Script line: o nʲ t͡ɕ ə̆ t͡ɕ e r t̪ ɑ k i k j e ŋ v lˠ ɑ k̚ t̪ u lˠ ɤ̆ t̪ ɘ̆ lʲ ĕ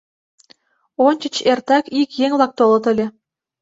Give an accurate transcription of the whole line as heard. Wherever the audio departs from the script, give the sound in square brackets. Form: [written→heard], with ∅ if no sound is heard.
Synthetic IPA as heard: o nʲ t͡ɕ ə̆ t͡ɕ e r t̪ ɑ k i k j e ŋ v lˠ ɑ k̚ t̪ [u→o] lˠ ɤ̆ t̪ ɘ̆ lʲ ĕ